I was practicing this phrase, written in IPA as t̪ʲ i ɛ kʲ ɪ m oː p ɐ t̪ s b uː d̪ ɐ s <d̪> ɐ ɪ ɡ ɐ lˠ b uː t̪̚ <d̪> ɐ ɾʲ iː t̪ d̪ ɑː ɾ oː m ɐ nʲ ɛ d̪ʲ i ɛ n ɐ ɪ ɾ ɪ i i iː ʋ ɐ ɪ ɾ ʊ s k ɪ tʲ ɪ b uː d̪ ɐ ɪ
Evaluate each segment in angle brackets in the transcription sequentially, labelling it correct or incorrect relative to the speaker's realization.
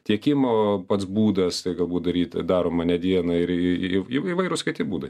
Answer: incorrect, correct

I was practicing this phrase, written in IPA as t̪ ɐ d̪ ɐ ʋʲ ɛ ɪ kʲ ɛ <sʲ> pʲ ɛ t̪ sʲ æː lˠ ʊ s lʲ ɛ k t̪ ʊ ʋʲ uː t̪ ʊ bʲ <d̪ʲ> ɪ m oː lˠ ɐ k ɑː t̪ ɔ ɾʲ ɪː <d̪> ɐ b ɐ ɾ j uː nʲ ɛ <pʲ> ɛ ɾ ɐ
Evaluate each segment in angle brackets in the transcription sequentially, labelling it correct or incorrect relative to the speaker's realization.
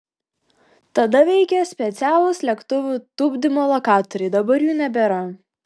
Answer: correct, correct, correct, incorrect

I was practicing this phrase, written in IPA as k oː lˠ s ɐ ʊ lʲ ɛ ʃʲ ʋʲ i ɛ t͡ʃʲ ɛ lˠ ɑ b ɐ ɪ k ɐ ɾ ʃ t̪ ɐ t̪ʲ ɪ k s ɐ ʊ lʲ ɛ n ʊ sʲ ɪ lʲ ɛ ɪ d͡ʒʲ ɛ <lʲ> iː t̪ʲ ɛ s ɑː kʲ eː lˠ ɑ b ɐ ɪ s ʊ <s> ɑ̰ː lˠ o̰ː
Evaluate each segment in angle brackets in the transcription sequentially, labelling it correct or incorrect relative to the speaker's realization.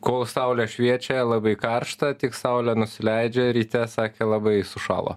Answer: incorrect, incorrect

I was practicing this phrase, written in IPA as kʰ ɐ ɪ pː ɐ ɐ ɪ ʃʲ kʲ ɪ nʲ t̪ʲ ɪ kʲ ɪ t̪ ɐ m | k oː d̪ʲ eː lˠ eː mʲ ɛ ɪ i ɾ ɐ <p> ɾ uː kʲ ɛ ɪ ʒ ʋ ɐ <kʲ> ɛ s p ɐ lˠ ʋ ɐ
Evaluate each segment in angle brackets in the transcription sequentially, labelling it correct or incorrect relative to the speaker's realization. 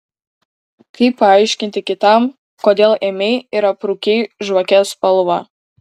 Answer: correct, correct

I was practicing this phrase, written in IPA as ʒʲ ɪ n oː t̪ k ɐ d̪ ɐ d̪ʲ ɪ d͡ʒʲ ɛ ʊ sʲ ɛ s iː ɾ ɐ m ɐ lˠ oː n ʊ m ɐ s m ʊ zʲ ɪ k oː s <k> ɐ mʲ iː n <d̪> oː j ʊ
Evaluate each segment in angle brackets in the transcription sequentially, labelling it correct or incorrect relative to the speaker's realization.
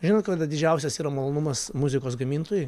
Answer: incorrect, incorrect

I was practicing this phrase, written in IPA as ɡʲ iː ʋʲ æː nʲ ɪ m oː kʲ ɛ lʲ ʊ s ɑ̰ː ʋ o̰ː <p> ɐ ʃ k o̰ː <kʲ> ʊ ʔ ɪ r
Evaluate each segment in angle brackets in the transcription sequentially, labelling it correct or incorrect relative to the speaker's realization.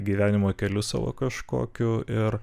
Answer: incorrect, correct

